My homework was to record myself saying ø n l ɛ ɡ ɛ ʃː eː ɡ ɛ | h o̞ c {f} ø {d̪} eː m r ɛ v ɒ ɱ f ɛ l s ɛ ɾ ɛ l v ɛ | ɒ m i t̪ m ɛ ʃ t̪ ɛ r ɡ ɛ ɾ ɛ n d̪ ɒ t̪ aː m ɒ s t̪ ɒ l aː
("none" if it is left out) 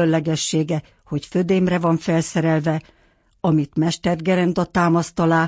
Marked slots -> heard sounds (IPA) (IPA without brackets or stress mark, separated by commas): f, d̪